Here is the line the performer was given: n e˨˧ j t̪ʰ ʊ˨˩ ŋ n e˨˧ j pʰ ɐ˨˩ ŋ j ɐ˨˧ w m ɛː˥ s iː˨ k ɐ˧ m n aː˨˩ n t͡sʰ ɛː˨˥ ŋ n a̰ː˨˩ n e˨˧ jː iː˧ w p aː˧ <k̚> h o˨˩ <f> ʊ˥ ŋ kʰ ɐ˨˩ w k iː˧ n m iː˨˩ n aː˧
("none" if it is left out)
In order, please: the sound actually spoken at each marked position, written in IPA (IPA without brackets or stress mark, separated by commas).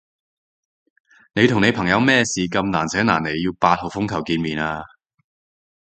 t̚, f